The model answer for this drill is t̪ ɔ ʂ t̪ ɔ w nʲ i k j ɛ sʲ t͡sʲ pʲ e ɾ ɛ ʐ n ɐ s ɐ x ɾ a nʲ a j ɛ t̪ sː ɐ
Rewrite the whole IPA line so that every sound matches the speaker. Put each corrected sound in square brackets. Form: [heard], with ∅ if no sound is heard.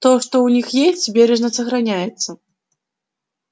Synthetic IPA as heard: t̪ ɔ ʂ t̪ ɔ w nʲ i [x] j [e] sʲ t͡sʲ [bʲ] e ɾ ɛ ʐ n ɐ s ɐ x ɾ a nʲ a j ɛ t̪ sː ɐ